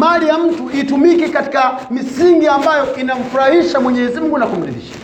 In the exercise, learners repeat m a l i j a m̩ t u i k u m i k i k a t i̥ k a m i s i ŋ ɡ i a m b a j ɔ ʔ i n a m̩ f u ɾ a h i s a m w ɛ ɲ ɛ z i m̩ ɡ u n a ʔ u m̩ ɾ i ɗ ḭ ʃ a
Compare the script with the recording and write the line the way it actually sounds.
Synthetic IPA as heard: m a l i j a m̩ t u i t u m i k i k a t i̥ k a m i s i ŋ ɡ i a m b a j ɔ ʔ i n a m̩ f u ɾ a h i ʃ a m w ɛ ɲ ɛ z i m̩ ɡ u n a k u m̩ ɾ i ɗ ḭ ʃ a